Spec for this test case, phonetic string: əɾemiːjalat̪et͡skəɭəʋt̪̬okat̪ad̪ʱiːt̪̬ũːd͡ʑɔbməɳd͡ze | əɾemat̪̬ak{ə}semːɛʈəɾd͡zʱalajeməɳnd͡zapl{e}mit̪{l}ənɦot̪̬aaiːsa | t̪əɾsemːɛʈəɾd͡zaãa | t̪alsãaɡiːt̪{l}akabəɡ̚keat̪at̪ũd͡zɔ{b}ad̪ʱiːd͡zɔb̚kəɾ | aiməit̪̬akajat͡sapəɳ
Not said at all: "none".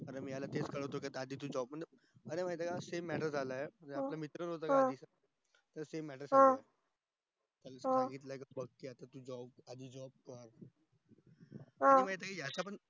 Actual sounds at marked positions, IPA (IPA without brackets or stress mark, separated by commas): a, a, ɾ, l, b